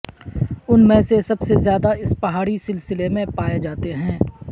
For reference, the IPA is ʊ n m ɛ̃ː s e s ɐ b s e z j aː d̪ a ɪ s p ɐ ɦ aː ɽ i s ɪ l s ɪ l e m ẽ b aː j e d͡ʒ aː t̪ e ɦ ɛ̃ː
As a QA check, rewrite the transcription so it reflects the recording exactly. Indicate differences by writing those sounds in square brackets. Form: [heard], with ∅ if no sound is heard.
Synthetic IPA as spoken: ʊ n m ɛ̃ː s e s ɐ b s e z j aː d̪ a ɪ s p ɐ ɦ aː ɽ i s ɪ l s ɪ l e m ẽ [p] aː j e d͡ʒ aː t̪ e ɦ ɛ̃ː